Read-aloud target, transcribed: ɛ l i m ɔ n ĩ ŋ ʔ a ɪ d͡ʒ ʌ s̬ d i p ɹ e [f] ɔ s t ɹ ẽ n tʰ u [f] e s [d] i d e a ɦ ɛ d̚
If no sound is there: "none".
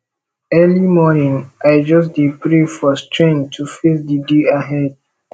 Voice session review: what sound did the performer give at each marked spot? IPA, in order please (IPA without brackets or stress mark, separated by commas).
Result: f, f, d